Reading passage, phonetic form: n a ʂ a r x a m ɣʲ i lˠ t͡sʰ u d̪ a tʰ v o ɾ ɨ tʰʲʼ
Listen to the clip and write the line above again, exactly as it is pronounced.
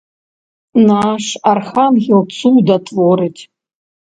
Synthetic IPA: n a ʂ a r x a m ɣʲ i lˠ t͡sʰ u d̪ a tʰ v o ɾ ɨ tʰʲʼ